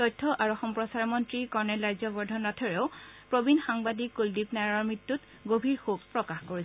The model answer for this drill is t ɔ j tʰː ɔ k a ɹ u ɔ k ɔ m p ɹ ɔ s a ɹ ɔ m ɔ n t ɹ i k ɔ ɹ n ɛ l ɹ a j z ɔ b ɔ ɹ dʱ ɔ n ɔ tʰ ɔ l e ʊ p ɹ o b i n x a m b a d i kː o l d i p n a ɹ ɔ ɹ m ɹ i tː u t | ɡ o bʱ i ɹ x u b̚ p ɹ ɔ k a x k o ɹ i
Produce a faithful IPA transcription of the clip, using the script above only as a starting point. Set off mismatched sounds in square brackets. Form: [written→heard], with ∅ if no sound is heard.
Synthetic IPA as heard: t ɔ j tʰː ɔ [k→ʔ] a ɹ u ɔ [k→x] ɔ m p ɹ ɔ s a ɹ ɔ m ɔ n t ɹ i k ɔ ɹ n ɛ l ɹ a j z ɔ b ɔ ɹ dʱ ɔ n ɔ tʰ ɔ [l→ɹ] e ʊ p ɹ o b i n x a [m→ŋ] b a d i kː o l d i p n a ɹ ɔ ɹ m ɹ i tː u t | ɡ o bʱ i ɹ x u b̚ p ɹ ɔ k a x k o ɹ i